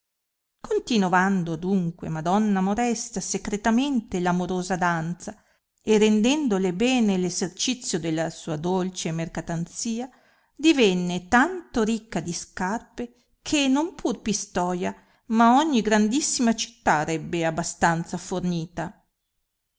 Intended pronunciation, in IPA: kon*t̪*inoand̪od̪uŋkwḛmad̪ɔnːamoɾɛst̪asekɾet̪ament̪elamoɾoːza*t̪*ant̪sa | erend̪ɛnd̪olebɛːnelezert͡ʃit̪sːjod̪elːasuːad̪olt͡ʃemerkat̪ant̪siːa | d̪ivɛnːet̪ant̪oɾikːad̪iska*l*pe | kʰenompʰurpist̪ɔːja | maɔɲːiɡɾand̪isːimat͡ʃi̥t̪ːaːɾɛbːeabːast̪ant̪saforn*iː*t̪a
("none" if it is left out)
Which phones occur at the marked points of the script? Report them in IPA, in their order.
t̪, d̪, r, iː

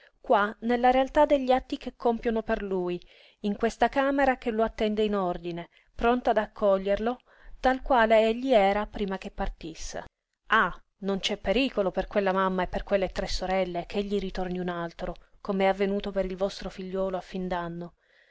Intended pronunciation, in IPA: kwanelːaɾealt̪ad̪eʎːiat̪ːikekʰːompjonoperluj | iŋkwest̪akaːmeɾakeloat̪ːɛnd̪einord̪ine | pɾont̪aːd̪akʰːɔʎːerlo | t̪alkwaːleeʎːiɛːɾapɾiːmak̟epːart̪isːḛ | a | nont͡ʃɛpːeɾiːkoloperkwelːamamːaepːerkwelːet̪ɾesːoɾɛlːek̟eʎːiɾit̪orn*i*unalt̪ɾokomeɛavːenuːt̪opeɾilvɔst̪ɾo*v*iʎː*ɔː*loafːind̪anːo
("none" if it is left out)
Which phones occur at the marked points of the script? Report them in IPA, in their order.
i, f, ɔː

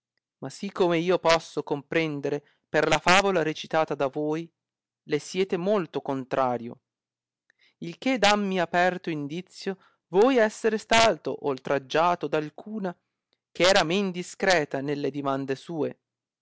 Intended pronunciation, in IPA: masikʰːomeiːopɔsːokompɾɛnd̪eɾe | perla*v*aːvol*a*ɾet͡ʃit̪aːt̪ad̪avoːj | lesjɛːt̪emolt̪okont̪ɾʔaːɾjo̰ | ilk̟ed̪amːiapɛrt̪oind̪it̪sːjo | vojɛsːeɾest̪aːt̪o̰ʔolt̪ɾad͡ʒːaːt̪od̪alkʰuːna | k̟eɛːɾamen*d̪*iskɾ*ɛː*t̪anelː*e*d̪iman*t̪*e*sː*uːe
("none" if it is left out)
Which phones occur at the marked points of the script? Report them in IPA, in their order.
f, a, d̪, ɛː, e, d̪, s

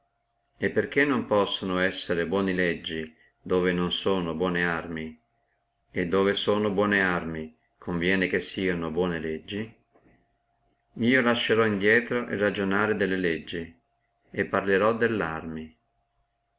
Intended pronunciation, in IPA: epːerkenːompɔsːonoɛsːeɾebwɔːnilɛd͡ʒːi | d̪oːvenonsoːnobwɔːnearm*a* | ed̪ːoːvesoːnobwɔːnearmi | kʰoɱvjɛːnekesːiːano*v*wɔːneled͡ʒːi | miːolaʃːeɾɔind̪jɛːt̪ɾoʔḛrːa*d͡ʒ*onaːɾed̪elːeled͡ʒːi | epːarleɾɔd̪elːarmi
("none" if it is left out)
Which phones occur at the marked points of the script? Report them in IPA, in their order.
i, b, d͡ʒ

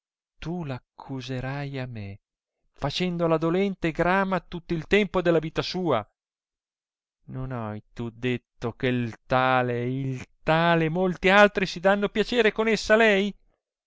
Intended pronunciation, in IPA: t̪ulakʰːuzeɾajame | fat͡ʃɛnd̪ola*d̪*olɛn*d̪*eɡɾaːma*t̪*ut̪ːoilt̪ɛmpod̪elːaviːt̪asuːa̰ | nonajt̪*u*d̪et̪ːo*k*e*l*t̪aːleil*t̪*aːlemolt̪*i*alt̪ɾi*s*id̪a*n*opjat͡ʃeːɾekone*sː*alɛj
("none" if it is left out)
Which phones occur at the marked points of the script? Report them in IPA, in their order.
d̪, t̪, t̪, u, k, l, t̪, i, s, nː, sː

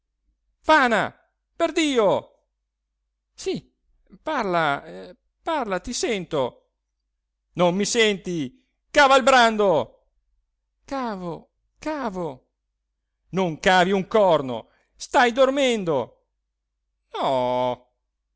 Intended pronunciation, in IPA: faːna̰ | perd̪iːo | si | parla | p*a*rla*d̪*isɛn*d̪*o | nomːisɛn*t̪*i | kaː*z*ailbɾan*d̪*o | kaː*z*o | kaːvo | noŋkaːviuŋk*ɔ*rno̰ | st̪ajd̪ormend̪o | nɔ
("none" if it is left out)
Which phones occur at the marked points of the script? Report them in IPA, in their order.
a, t̪, t̪, t̪, v, d̪, v, ɔ

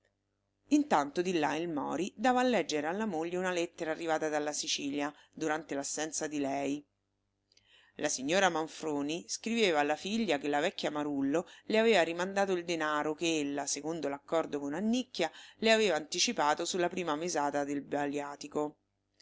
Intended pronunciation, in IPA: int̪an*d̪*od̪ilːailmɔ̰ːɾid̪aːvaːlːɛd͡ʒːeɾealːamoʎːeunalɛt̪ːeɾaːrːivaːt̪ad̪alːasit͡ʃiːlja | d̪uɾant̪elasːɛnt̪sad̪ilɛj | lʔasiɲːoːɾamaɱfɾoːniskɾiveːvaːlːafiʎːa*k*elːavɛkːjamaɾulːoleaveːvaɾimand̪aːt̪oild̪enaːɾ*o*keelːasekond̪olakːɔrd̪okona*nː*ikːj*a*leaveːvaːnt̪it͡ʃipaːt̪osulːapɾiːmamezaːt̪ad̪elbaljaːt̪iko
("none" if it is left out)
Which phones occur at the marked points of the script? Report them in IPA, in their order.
t̪, k, o, nː, a

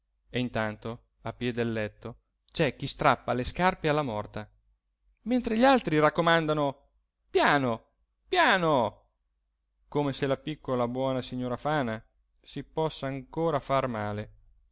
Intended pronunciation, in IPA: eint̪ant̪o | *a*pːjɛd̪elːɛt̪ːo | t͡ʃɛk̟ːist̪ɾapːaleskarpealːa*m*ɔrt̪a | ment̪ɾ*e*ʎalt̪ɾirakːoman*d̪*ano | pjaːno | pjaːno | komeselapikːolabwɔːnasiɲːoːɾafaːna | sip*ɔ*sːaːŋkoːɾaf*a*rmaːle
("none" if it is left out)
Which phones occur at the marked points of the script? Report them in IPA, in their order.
a, m, e, d̪, ɔ, a

